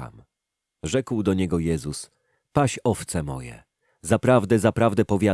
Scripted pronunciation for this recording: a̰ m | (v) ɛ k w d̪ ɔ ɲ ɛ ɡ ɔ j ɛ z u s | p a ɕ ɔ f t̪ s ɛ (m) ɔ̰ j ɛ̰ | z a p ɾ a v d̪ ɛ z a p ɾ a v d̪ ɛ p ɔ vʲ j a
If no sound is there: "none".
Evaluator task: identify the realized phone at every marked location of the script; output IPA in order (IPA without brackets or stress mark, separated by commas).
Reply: ʐ, m